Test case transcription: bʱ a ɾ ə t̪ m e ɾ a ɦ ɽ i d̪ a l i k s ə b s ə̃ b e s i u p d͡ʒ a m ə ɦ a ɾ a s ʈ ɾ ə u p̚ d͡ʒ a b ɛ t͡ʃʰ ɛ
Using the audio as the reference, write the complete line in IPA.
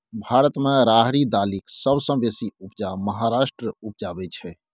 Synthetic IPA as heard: bʱ a ɾ ə t̪ m e ɾ a ɦ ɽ i d̪ a l i k s ə b s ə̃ b e s i u p d͡ʒ a m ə ɦ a ɾ a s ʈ ɾ ə u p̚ d͡ʒ a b ɛ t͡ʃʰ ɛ